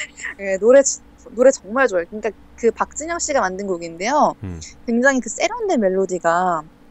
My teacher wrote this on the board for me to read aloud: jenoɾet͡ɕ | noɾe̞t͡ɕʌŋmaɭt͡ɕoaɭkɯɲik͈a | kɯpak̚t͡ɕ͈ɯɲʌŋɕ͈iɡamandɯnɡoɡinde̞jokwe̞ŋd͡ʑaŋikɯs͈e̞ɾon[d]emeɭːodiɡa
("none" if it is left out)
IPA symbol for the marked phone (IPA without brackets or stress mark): d